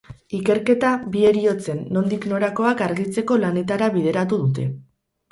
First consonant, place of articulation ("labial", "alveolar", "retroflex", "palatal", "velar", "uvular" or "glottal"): velar